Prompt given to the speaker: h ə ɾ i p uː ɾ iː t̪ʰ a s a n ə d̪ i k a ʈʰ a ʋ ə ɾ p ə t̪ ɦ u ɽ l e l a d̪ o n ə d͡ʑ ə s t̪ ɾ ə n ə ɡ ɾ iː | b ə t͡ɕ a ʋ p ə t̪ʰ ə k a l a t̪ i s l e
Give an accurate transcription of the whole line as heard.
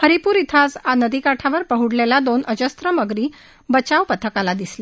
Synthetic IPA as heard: h ə ɾ i p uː ɾ i t̪ʰ a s a n ə d̪ i k a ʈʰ a ʋ ə ɾ p ə ɦ u ɽ l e l a d̪ o n ə d͡ʑ ə s t̪ ɾ ə m ə ɡ ɾ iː | b ə t͡ɕ a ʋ p ə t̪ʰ ə k a l a d̪ i s l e